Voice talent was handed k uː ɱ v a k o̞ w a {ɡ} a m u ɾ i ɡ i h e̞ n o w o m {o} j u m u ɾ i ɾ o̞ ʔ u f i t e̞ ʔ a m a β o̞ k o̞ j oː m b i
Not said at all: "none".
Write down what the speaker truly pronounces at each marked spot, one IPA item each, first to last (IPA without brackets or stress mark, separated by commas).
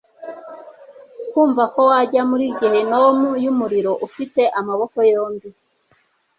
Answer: ɟ, u